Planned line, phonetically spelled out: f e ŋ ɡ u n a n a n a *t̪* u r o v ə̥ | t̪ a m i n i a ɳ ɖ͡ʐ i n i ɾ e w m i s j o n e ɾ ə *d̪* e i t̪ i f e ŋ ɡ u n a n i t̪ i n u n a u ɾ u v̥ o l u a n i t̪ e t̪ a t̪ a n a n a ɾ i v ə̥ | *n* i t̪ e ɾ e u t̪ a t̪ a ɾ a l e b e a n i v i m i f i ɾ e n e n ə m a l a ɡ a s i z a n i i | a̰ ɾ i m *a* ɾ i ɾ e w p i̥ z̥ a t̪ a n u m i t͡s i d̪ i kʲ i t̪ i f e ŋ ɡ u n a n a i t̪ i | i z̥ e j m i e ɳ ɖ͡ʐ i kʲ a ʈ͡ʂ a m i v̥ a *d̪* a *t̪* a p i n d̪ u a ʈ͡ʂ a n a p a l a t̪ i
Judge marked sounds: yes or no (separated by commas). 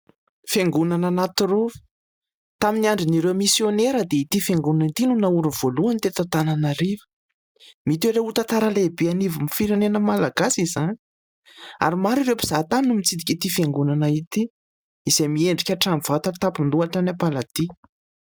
yes, yes, no, yes, no, yes